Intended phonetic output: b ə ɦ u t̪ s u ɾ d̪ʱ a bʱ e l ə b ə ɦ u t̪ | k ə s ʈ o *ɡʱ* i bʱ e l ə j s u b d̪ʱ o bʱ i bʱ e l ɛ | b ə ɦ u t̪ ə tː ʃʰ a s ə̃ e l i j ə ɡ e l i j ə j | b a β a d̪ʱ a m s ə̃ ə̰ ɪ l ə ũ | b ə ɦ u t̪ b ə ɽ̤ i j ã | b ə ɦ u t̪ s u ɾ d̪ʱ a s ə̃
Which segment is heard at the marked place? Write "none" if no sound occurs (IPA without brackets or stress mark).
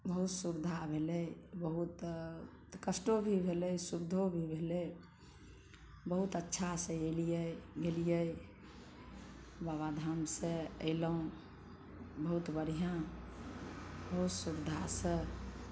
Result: bʱ